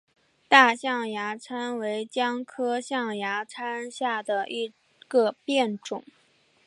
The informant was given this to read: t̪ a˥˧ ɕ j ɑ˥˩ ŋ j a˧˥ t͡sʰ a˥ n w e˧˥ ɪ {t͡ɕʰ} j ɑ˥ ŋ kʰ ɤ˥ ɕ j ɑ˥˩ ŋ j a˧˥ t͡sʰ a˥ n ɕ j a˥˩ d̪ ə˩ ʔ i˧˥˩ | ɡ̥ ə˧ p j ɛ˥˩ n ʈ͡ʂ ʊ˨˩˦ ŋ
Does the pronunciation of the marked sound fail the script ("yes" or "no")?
yes